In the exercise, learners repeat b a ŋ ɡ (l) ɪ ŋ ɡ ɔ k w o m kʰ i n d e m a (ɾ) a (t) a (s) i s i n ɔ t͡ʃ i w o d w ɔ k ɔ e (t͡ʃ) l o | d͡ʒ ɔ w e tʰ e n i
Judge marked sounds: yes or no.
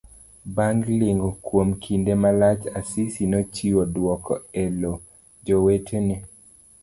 yes, no, no, yes, no

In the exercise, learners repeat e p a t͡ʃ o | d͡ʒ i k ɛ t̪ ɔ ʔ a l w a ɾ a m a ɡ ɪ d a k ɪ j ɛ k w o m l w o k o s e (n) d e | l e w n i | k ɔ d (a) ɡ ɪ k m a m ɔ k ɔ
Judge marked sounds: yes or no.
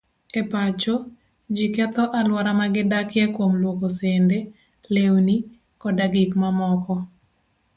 yes, yes

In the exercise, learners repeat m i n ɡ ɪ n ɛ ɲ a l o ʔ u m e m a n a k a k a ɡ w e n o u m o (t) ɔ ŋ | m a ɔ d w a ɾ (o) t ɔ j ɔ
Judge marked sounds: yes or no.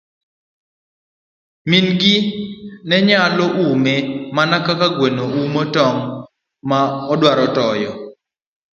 yes, no

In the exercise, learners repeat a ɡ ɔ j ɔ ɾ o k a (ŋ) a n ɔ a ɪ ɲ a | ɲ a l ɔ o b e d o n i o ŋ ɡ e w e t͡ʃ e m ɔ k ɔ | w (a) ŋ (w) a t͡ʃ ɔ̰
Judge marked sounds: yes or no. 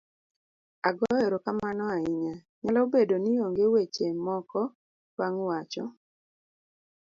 no, yes, yes

